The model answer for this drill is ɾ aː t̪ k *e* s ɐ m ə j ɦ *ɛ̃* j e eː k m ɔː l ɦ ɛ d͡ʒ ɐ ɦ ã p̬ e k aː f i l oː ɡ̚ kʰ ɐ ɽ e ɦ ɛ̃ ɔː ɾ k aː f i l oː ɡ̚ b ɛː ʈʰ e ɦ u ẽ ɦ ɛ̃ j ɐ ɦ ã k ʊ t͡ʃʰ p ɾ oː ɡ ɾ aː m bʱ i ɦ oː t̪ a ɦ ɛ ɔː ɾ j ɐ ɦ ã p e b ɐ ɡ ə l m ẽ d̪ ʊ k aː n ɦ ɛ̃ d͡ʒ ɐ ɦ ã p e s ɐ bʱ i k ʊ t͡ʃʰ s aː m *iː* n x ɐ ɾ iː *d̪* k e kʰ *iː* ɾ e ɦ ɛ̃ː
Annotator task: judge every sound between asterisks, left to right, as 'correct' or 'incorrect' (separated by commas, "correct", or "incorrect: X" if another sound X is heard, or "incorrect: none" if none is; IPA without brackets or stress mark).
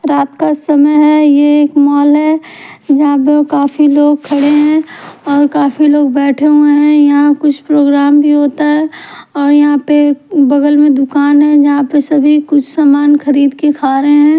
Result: incorrect: a, incorrect: ɛ, incorrect: aː, correct, incorrect: aː